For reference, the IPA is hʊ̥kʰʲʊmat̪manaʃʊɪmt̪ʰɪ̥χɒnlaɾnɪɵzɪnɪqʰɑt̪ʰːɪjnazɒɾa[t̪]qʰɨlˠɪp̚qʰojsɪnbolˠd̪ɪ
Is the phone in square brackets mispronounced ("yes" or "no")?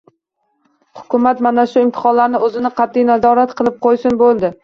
no